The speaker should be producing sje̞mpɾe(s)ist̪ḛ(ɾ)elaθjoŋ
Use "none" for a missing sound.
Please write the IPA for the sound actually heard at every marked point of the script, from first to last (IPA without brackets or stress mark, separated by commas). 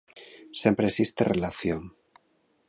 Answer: s, r